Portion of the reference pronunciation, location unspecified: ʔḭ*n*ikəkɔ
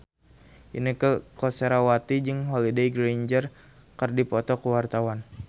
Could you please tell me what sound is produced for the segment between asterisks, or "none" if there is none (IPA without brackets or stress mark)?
n